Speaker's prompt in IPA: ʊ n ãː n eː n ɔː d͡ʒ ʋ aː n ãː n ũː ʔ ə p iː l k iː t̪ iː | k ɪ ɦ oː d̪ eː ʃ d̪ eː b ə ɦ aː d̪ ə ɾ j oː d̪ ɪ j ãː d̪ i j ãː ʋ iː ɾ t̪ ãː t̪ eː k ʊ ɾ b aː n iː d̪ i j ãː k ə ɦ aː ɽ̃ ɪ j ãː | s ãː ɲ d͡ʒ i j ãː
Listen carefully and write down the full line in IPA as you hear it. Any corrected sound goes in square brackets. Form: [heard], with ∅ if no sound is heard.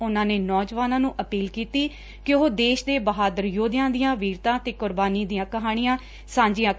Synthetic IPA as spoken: ʊ n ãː n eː n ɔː d͡ʒ ʋ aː n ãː n ũː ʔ ə p iː l k iː t̪ iː | k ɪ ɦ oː d̪ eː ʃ d̪ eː b ə ɦ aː d̪ ə ɾ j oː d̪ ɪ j ãː d̪ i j ãː ʋ iː ɾ t̪ ãː t̪ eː k ʊ ɾ b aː n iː d̪ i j ãː k ə ɦ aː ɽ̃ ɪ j ãː | s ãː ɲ d͡ʒ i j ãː

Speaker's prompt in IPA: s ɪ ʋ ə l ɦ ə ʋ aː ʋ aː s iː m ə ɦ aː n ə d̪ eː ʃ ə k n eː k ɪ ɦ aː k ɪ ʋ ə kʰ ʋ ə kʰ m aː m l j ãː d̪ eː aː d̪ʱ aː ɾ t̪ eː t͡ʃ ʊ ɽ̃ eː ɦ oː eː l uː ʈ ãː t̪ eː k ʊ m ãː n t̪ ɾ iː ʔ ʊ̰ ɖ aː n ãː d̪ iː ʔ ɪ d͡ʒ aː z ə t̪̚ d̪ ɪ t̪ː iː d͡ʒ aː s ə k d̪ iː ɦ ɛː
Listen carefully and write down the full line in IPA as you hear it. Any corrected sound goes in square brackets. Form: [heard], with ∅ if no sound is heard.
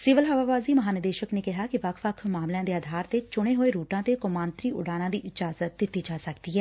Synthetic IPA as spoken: s ɪ ʋ ə l ɦ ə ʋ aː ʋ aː [z] iː m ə ɦ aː n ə d̪ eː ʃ ə k n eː k ɪ ɦ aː k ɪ ʋ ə kʰ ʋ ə kʰ m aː m l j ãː d̪ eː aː d̪ʱ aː ɾ t̪ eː t͡ʃ ʊ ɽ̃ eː ɦ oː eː [ɾ] uː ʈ ãː t̪ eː k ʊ m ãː n t̪ ɾ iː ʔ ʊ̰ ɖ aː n ãː d̪ iː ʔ ɪ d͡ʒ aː z ə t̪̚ d̪ ɪ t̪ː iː d͡ʒ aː s ə k d̪ iː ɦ ɛː

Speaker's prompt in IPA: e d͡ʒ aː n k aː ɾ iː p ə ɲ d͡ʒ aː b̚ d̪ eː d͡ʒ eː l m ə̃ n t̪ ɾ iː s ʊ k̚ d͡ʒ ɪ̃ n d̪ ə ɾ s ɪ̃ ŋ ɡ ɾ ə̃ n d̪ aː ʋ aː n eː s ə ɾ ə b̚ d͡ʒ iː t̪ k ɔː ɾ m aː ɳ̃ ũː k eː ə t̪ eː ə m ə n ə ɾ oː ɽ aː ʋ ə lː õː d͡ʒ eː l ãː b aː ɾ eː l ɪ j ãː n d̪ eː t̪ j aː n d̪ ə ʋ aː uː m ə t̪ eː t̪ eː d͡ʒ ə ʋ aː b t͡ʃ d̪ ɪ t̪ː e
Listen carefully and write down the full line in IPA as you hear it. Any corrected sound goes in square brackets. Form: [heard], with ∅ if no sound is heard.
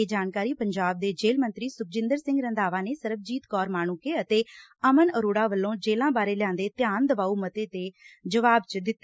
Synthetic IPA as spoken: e d͡ʒ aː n k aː ɾ iː p ə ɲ d͡ʒ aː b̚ d̪ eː d͡ʒ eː l m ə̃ n t̪ ɾ iː s ʊ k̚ d͡ʒ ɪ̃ n d̪ ə ɾ s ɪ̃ ŋ ɡ ɾ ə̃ n d̪ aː ʋ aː n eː s ə ɾ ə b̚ d͡ʒ iː t̪ k ɔː ɾ m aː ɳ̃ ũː k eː ə t̪ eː ə m ə n ə ɾ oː ɽ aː ʋ ə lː õː d͡ʒ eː l ãː b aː ɾ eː l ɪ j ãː n d̪ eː t̪ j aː n d̪ ə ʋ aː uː m ə t̪ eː t̪ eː d͡ʒ ə ʋ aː b t͡ʃ d̪ ɪ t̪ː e

